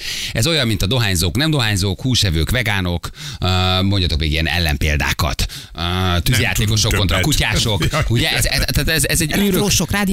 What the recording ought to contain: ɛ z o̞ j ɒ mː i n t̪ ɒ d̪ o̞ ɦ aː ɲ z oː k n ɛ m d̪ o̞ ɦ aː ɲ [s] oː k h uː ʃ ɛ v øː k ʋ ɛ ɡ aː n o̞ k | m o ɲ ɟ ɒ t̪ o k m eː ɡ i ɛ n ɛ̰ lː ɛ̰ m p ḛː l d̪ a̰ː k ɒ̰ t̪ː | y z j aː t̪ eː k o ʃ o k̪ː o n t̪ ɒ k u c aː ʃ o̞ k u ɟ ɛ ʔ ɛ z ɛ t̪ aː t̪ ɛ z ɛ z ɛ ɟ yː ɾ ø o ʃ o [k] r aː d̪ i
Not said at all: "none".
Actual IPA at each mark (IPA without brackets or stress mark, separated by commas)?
z, k